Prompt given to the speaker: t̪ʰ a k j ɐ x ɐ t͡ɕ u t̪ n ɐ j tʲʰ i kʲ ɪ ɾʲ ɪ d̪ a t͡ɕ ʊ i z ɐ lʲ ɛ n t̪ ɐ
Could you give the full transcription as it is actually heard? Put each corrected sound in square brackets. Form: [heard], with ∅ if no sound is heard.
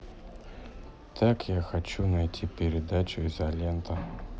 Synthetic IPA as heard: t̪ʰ a k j [a] x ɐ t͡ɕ u [∅] n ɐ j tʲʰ i [pʲ] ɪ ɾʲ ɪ d̪ a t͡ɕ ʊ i z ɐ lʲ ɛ n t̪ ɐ